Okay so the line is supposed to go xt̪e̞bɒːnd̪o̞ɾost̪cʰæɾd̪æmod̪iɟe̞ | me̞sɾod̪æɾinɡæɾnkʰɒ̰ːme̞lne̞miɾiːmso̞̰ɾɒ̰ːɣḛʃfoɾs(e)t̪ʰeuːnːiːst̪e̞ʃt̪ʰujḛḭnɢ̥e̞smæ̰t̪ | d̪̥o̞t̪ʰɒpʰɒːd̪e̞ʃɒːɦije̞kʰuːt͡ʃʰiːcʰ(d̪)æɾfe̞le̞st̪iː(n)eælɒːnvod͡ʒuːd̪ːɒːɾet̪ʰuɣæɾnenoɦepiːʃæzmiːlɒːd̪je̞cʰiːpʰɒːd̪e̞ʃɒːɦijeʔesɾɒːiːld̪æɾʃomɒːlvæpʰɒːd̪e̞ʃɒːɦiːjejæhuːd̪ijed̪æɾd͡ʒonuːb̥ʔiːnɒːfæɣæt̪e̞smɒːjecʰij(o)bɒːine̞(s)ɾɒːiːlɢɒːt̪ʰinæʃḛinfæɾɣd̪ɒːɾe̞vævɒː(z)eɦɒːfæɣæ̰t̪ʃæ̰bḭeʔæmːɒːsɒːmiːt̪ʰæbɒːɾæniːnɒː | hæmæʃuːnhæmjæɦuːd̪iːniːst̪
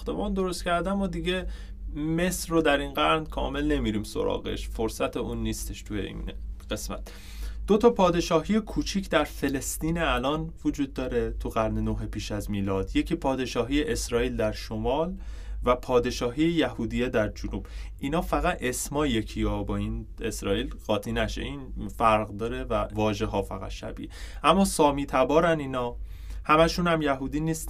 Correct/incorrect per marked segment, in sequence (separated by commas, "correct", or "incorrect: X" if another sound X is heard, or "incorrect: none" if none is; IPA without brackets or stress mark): incorrect: æ, correct, correct, incorrect: ɒ, correct, incorrect: ʒ